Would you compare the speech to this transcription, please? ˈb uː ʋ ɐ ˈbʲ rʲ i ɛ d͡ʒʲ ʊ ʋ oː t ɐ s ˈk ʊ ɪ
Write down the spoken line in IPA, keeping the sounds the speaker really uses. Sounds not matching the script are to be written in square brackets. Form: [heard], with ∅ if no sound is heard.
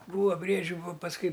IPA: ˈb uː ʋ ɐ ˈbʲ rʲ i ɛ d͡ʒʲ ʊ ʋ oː [p] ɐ s ˈk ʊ ɪ